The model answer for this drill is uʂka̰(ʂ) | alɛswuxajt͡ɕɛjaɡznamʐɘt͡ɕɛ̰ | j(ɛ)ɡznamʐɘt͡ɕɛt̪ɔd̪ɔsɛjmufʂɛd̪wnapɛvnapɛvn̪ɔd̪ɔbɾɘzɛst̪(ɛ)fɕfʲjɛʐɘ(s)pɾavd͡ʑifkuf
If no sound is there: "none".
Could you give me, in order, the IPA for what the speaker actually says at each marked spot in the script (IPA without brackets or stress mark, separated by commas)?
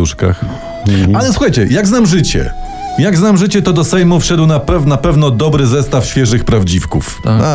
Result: x, a, a, x